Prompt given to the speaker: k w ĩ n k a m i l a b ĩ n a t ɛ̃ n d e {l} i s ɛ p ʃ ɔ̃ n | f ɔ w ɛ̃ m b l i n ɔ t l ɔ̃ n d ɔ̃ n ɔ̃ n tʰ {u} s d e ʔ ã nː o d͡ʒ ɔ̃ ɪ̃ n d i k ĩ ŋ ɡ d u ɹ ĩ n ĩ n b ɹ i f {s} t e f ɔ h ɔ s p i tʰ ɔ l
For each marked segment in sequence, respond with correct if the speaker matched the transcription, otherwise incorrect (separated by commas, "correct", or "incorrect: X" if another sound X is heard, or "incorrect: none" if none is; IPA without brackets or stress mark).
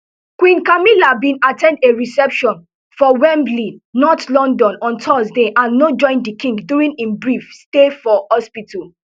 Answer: incorrect: ɹ, incorrect: ɔ, correct